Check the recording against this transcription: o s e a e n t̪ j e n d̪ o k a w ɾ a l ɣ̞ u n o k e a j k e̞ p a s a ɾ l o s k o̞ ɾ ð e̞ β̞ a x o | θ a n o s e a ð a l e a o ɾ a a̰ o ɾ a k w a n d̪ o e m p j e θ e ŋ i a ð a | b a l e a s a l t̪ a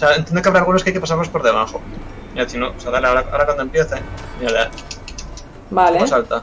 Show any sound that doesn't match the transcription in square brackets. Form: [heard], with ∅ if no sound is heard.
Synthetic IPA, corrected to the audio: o s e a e n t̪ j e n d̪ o k a [β] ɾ a l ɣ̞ u n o k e a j k e̞ p a s a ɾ l o s [p] o̞ ɾ ð e̞ β̞ a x o | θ [i] n o s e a ð a l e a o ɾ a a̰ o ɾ a k w a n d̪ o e m p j e θ e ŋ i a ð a | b a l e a s a l t̪ a